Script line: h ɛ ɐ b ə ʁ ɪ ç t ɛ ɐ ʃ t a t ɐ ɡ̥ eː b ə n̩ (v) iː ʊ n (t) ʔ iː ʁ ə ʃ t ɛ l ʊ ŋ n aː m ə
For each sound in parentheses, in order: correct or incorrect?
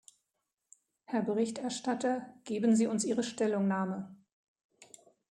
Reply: incorrect, incorrect

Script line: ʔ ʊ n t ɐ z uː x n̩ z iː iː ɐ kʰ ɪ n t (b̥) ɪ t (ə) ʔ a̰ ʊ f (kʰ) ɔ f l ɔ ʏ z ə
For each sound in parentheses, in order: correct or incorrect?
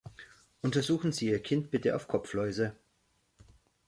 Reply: correct, correct, correct

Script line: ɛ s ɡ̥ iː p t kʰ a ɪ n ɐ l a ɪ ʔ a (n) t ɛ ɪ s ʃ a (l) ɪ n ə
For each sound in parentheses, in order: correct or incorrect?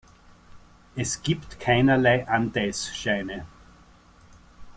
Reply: correct, incorrect

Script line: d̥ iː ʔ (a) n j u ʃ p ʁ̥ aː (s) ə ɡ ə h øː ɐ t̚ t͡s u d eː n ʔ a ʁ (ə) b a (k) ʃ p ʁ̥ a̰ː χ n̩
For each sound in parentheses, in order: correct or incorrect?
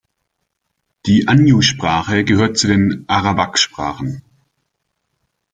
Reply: correct, incorrect, incorrect, correct

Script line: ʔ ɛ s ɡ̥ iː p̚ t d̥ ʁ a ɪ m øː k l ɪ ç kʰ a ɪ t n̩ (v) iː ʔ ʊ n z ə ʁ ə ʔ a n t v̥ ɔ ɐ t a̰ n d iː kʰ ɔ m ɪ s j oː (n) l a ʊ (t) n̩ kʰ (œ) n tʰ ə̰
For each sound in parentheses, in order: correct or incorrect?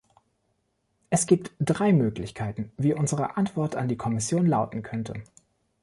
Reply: correct, correct, correct, correct

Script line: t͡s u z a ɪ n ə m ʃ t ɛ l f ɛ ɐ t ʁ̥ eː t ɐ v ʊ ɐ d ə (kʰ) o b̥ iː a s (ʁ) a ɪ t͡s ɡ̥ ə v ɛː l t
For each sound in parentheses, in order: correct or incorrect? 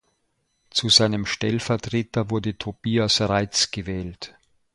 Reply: incorrect, correct

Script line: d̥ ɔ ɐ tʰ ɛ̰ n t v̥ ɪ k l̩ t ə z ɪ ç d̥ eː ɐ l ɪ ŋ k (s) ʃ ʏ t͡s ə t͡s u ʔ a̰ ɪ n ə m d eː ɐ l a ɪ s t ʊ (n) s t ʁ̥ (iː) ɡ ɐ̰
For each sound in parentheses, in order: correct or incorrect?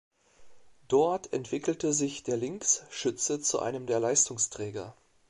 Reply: correct, incorrect, incorrect

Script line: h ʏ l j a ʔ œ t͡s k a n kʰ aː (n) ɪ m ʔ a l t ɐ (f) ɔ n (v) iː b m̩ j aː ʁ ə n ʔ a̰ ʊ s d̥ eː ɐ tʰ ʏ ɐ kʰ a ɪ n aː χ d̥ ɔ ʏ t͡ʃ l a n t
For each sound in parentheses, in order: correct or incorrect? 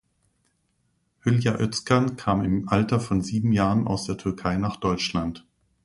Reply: incorrect, correct, incorrect

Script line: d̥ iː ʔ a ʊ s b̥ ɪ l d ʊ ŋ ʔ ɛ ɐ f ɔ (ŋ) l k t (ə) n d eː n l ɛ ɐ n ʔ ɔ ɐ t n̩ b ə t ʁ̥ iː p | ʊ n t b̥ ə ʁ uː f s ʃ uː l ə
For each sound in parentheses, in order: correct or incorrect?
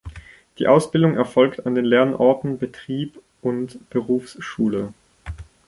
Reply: incorrect, incorrect

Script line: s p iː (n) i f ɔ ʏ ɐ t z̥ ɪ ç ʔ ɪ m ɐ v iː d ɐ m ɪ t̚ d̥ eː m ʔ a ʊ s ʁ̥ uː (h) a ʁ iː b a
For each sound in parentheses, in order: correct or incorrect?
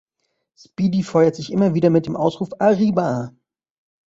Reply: incorrect, incorrect

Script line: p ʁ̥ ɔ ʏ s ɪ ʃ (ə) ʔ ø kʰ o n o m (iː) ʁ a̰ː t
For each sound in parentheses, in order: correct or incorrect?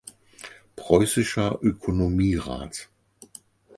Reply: incorrect, correct

